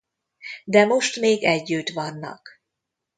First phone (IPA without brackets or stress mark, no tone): d̪